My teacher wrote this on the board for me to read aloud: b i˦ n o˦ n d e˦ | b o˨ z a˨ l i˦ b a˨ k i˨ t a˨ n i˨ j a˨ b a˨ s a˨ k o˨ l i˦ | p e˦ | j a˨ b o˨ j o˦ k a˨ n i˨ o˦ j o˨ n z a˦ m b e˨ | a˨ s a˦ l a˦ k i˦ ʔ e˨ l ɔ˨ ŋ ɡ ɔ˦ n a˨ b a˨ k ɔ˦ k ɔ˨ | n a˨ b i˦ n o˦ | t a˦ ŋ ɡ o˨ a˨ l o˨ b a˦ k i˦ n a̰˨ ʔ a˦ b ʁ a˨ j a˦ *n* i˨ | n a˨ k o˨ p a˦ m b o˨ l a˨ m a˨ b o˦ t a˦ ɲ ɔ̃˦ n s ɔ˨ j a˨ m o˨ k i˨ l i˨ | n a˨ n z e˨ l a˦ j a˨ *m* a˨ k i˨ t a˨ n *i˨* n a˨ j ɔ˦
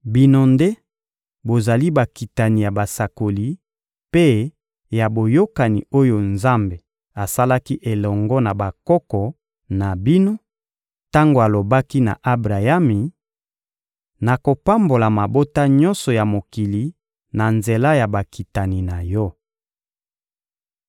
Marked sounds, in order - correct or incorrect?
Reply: incorrect, incorrect, correct

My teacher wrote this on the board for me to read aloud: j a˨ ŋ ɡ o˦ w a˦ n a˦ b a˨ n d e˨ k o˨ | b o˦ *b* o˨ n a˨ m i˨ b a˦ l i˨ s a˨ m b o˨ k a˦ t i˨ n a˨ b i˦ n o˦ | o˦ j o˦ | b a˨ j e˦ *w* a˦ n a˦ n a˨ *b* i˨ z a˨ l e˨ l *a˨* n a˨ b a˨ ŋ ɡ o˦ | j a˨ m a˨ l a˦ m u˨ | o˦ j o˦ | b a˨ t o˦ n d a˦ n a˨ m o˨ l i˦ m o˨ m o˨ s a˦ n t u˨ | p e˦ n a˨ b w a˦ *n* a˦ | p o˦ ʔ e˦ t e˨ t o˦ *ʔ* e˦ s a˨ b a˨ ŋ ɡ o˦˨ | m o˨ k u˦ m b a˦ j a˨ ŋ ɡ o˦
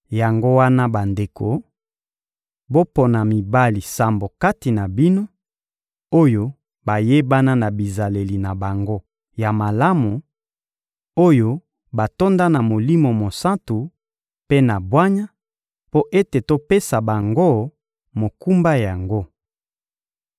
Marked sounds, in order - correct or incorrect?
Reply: incorrect, incorrect, correct, incorrect, incorrect, incorrect

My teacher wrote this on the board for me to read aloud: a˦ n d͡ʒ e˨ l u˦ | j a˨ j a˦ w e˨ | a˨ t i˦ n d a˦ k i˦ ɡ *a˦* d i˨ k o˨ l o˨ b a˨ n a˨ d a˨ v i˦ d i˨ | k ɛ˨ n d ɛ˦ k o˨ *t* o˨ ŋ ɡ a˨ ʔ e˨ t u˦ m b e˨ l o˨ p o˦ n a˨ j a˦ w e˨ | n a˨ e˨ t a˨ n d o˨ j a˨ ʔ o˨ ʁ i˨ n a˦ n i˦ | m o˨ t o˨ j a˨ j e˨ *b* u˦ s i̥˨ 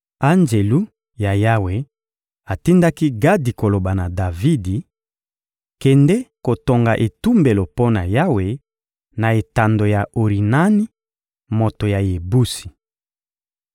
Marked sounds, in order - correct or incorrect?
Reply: correct, correct, correct

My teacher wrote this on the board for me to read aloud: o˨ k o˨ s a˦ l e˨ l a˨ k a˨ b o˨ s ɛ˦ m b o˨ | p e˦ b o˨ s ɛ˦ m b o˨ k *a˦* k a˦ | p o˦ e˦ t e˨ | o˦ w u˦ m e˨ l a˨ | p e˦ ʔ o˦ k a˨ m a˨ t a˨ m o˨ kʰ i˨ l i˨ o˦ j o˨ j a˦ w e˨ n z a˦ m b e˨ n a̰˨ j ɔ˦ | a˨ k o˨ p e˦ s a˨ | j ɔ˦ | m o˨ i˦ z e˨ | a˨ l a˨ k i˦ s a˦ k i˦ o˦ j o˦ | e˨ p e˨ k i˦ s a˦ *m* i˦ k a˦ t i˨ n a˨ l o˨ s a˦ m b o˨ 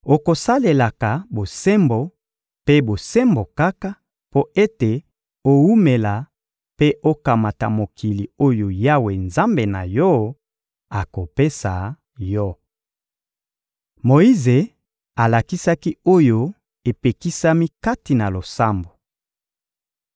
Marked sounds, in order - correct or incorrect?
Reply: correct, correct

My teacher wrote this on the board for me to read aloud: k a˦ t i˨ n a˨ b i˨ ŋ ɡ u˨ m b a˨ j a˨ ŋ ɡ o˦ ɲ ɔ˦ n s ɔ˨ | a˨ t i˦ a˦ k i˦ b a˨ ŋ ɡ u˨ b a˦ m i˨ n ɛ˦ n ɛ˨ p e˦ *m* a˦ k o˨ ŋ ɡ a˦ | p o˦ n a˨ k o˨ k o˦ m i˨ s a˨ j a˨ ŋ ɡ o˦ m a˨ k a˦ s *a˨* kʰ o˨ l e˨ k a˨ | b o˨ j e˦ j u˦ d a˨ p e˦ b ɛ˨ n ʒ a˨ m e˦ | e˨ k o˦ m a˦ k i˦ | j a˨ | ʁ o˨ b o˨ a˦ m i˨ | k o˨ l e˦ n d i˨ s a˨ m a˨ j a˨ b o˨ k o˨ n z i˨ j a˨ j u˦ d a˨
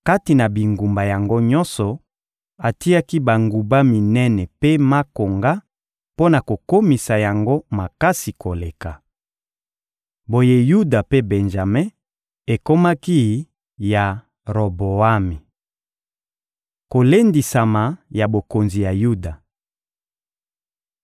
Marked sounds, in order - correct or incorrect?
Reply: correct, incorrect

